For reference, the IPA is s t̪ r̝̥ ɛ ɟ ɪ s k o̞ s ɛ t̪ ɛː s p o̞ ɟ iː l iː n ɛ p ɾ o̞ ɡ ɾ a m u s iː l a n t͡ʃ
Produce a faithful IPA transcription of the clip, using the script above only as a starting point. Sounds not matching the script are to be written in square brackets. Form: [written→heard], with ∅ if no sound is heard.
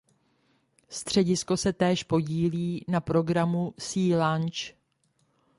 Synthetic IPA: s t̪ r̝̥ ɛ ɟ ɪ s k o̞ s ɛ t̪ ɛː [s→ʃ] p o̞ ɟ iː l iː n [ɛ→a] p ɾ o̞ ɡ ɾ a m u s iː l a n t͡ʃ